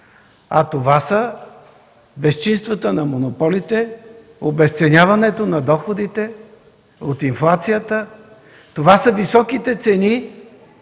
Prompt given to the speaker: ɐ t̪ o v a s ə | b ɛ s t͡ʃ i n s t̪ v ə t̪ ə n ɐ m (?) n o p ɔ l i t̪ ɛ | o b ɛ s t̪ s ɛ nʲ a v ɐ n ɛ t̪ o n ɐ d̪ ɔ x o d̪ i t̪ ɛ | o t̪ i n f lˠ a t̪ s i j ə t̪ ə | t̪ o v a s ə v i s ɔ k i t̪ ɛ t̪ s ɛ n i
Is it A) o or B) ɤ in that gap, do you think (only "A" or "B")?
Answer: A